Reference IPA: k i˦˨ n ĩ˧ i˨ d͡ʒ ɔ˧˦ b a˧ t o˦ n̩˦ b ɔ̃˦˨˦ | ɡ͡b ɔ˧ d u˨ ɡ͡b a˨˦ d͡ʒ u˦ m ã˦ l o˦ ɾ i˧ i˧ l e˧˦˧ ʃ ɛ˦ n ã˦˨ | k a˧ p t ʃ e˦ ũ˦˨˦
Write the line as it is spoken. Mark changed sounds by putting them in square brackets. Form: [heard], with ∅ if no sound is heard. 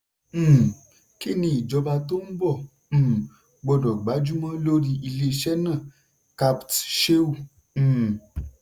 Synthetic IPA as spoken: k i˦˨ n ĩ˧ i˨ d͡ʒ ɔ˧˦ b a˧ t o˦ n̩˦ b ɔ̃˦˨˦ | ɡ͡b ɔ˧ d [ɔ˨] ɡ͡b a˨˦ d͡ʒ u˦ m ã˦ l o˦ ɾ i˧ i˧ l e˧˦˧ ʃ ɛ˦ n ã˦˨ | k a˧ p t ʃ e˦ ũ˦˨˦